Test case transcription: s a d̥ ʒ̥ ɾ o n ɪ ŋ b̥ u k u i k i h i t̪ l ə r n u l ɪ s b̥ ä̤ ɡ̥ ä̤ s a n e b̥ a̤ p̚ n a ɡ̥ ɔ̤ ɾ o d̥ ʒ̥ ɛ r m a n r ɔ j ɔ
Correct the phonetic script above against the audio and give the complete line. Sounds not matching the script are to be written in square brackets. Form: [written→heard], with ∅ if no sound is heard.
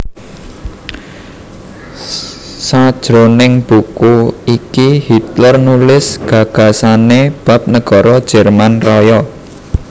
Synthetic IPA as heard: s a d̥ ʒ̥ ɾ o n ɪ ŋ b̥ u k u i k i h i t̪ l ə r n u l ɪ s [b̥→ɡ̥] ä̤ ɡ̥ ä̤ s a n e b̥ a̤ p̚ n [a→ə] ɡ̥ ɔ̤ ɾ [o→ɔ] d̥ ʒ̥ ɛ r m a n r ɔ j ɔ